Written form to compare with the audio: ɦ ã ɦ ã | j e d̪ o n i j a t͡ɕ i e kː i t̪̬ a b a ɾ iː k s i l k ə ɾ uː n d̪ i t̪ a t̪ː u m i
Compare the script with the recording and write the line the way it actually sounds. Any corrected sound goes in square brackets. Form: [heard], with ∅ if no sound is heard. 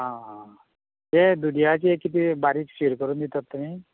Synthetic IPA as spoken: ɦ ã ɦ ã | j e d̪ [u] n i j a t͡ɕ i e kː i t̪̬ [i] b a ɾ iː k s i [ɾ] k ə ɾ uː n d̪ i t̪ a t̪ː u m i